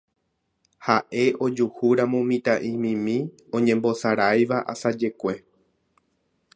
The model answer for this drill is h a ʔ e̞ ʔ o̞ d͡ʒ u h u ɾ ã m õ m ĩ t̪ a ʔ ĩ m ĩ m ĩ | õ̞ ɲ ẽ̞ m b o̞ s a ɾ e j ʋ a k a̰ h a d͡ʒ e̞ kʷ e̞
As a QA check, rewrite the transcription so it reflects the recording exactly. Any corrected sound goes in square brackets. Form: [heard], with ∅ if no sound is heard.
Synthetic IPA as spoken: h a ʔ e̞ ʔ o̞ d͡ʒ u h u ɾ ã m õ m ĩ t̪ a ʔ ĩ m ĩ m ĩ | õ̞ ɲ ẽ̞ m b o̞ s a ɾ [a] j ʋ a [ʔ] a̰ [s] a d͡ʒ e̞ kʷ e̞